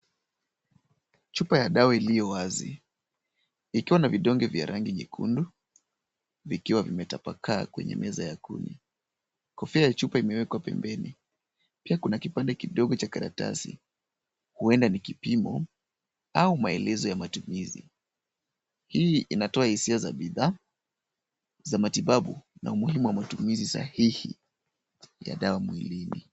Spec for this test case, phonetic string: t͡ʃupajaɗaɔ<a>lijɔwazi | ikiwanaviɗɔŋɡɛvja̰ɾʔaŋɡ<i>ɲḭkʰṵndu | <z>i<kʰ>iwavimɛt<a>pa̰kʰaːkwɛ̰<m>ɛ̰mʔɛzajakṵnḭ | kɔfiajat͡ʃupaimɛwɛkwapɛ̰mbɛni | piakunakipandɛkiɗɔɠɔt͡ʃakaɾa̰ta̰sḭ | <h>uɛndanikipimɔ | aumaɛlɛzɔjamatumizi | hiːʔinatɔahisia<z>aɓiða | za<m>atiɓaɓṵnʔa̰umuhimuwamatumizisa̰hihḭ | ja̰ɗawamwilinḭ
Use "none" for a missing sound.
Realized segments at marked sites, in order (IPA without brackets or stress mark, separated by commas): i, i, v, k, a, ɲ, h, z, m